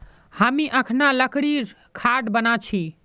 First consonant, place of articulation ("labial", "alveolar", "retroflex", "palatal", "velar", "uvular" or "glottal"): glottal